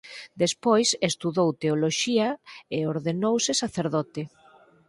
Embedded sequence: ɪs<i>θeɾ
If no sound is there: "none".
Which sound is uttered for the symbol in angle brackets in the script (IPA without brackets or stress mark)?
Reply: a